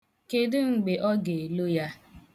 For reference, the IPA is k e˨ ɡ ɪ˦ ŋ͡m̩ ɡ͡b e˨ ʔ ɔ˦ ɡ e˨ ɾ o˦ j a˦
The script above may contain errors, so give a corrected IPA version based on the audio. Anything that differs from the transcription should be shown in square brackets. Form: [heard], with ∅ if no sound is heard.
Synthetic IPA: k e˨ [d] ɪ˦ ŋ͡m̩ ɡ͡b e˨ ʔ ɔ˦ ɡ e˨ [l] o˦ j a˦

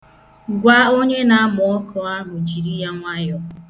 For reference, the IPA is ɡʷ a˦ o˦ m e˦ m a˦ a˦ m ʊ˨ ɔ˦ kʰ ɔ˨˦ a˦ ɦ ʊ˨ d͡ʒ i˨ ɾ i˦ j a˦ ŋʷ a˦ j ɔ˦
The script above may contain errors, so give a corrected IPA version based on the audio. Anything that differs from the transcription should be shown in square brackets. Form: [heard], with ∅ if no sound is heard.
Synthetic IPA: ɡʷ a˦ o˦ [ɲ] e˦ [n] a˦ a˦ m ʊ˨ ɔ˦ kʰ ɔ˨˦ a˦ ɦ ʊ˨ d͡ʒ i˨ ɾ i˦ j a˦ ŋʷ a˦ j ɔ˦

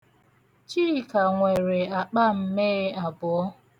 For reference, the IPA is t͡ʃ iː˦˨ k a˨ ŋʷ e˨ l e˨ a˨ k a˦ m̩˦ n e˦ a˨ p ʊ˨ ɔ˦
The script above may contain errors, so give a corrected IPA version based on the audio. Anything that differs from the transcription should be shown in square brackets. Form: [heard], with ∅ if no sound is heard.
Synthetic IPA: t͡ʃ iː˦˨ k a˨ ŋʷ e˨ [ɾ] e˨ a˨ [k͡p] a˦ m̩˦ [m] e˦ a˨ [b] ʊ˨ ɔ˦

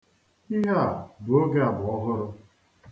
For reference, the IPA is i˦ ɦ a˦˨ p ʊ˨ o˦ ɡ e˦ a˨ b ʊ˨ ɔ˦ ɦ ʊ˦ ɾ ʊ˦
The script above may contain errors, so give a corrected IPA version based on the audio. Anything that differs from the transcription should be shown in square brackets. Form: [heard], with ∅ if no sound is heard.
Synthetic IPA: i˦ ɦ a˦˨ [b] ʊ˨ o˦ ɡ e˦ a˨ b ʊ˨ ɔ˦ ɦ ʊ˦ ɾ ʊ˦

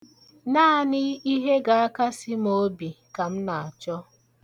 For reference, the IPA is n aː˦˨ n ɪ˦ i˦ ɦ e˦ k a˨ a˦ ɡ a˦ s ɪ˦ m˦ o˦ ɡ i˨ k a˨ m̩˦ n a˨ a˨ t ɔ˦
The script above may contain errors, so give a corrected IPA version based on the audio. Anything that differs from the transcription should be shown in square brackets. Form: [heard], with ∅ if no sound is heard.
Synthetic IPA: n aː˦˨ n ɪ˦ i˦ ɦ e˦ [ɡ] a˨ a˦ [k] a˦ s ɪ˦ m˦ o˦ [b] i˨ k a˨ m̩˦ n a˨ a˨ [t͡ʃ] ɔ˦

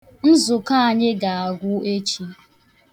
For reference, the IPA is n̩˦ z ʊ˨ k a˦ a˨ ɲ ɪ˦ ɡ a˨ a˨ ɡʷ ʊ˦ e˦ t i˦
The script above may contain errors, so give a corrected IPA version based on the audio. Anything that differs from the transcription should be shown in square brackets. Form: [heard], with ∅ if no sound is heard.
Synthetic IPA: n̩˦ z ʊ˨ k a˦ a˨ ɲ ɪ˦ ɡ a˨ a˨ ɡʷ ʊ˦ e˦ [t͡ʃ] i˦

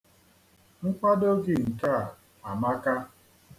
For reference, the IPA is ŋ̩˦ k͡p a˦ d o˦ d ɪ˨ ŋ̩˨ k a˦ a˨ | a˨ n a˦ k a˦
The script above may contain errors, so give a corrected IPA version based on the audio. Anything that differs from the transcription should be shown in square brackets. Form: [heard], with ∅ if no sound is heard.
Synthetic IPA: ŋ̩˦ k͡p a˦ d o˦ [ɡ] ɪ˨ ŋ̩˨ k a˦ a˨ | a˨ [m] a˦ k a˦

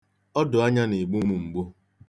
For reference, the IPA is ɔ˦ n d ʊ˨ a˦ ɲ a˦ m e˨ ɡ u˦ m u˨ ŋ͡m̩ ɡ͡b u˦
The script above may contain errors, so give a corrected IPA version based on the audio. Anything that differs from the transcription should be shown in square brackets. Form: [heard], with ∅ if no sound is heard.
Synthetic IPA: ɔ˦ [∅] d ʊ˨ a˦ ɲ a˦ [n] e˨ [ɡ͡b] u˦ m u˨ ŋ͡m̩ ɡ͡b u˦

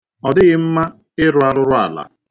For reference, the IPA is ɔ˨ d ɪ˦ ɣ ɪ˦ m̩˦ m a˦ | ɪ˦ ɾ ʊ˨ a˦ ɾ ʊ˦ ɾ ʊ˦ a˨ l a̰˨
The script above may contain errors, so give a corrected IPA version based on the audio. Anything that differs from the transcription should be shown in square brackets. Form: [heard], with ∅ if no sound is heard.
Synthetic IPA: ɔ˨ d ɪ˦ ɣ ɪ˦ m̩˦ m a˦ | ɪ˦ ɾ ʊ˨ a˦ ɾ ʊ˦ ɾ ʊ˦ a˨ l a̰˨

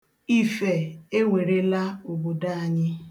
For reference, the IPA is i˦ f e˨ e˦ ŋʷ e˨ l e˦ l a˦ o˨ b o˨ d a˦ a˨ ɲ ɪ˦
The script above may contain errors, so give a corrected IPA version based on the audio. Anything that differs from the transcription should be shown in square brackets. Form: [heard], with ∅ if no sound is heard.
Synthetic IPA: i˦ f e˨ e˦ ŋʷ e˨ [ɾ] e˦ l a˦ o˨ b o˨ d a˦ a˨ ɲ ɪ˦

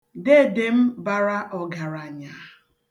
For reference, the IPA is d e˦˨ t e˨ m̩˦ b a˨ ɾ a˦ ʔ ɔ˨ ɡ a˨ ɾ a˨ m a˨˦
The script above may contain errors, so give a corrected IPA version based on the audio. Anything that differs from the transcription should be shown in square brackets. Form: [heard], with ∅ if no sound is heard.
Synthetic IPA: d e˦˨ [d] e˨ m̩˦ b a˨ ɾ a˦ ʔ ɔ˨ ɡ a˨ ɾ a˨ [ɲ] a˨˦

